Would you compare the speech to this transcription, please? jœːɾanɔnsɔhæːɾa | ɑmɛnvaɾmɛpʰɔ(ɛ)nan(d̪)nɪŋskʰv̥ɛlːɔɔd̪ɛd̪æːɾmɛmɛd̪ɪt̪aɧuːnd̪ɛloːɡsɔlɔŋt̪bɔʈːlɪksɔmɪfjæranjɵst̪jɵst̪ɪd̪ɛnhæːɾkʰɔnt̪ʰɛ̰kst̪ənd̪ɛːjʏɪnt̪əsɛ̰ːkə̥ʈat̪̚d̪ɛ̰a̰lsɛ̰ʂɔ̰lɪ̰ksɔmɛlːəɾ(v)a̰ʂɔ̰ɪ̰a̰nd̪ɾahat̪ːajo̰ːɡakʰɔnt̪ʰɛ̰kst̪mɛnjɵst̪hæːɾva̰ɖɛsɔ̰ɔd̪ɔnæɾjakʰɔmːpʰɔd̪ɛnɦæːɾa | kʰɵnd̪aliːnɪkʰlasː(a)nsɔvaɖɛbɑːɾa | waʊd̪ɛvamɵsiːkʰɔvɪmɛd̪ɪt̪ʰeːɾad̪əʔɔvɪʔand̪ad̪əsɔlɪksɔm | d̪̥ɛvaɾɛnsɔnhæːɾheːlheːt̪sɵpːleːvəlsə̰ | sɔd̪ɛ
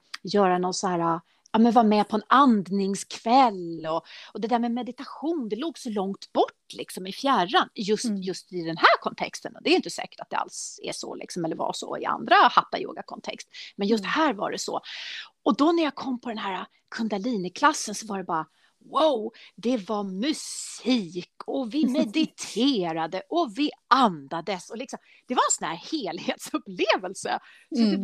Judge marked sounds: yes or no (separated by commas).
yes, yes, yes, no